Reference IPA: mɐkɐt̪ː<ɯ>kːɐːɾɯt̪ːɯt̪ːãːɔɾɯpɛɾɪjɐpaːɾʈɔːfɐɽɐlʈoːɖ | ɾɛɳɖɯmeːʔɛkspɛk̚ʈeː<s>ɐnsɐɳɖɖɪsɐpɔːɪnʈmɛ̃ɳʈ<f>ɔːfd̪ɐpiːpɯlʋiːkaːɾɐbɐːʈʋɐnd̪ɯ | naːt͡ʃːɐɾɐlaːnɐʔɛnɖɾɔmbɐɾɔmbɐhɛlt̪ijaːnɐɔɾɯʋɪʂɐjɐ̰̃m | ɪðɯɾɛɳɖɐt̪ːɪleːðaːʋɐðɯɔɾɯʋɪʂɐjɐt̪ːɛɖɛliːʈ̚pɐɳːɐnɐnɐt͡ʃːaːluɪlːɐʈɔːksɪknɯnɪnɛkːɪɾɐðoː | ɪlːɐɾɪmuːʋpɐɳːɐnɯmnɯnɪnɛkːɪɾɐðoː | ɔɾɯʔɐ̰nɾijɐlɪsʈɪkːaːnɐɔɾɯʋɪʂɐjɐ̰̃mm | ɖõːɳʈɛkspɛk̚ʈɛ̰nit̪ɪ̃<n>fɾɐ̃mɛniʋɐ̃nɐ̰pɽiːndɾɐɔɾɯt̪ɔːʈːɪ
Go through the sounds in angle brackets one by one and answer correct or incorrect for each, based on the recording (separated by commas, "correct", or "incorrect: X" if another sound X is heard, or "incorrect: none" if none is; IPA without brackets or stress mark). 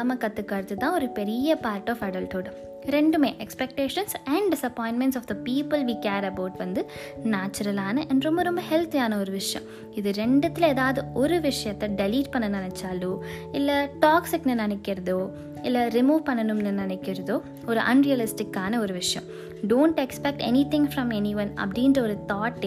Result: correct, incorrect: ʂ, incorrect: s, incorrect: ŋ